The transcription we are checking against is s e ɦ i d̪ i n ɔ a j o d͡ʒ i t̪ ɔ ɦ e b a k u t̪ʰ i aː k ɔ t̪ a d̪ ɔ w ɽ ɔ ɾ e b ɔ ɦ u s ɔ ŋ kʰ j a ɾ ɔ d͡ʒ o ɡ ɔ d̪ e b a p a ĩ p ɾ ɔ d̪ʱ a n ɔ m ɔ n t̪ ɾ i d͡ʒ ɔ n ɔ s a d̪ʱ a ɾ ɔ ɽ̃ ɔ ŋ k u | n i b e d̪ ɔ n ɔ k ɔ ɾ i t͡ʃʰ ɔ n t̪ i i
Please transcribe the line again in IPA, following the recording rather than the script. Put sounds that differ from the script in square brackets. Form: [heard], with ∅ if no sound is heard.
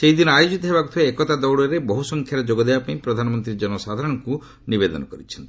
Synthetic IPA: s e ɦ i d̪ i n ɔ a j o d͡ʒ i t̪ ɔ ɦ e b a k u t̪ʰ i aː k ɔ t̪ a d̪ ɔ w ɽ ɔ ɾ e b ɔ ɦ u s ɔ ŋ kʰ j a ɾ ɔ d͡ʒ o ɡ ɔ d̪ e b a p a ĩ p ɾ ɔ d̪ʱ a n ɔ m ɔ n t̪ ɾ i d͡ʒ ɔ n ɔ s a d̪ʱ a ɾ ɔ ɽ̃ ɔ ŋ k u | n i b e d̪ ɔ n ɔ k ɔ ɾ i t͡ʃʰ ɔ n t̪ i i